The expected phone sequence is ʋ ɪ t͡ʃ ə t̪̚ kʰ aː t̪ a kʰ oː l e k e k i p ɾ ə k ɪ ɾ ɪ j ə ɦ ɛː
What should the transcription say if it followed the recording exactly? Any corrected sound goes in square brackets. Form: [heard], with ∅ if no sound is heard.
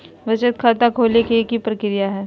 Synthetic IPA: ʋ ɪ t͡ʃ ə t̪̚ kʰ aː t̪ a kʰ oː l e k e k i p ɾ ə k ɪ ɾ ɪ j [a] ɦ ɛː